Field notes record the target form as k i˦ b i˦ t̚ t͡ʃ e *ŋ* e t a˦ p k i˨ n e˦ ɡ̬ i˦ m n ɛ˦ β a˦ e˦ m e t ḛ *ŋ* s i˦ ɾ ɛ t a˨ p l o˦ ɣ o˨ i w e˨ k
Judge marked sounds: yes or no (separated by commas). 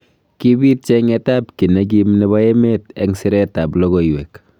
yes, yes